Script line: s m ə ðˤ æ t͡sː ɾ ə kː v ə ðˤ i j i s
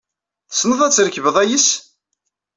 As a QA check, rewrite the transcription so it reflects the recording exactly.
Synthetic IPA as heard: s n ə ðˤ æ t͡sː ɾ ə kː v ə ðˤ æ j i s